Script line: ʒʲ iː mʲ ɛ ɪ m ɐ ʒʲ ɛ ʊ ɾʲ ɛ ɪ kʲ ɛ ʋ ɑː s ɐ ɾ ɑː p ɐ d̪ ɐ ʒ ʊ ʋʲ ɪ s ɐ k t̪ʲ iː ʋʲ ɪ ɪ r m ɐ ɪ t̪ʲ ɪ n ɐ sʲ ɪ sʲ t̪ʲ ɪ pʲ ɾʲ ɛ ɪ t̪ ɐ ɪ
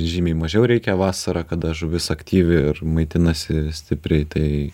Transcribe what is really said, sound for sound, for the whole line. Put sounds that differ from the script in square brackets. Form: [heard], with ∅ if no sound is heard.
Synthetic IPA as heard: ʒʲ iː mʲ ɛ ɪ m ɐ ʒʲ ɛ ʊ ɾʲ ɛ ɪ kʲ ɛ ʋ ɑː s ɐ ɾ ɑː [k] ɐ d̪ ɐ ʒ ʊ ʋʲ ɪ s ɐ k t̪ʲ iː ʋʲ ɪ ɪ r m ɐ ɪ t̪ʲ ɪ n ɐ sʲ ɪ sʲ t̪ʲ ɪ pʲ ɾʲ ɛ ɪ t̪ ɐ ɪ